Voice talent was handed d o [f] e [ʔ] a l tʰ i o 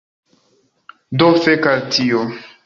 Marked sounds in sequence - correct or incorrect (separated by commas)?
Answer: correct, incorrect